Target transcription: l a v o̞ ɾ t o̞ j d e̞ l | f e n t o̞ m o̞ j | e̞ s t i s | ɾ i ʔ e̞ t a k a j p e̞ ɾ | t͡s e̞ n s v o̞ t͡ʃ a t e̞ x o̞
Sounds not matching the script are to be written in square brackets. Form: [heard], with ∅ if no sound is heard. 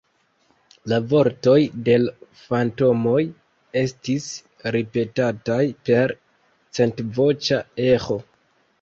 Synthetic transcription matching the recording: l a v o̞ ɾ t o̞ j d e̞ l | f [a] n t o̞ m o̞ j | e̞ s t i s | ɾ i [p] e̞ t a [t] a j p e̞ ɾ | t͡s e̞ n [t] v o̞ t͡ʃ a [∅] e̞ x o̞